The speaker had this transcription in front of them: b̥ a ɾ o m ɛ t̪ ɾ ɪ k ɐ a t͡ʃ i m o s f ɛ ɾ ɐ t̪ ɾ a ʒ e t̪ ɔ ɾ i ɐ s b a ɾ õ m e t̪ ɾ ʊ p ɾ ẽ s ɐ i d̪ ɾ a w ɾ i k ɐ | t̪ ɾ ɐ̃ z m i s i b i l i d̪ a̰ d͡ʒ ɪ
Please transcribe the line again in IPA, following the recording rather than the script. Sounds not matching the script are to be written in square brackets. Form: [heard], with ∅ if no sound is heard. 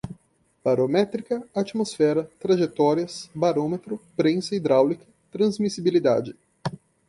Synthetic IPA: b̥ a ɾ o m ɛ t̪ ɾ [i] k ɐ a t͡ʃ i m o s f ɛ ɾ ɐ t̪ ɾ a ʒ e t̪ ɔ ɾ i ɐ s b a ɾ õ m e t̪ ɾ ʊ p ɾ ẽ s ɐ i d̪ ɾ a w [l] i k ɐ | t̪ ɾ ɐ̃ z m i s i b i l i d̪ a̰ d͡ʒ ɪ